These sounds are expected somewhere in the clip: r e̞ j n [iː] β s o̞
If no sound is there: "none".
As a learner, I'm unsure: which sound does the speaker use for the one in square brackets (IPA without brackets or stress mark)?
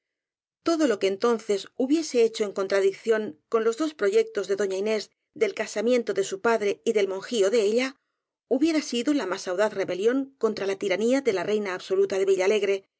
aː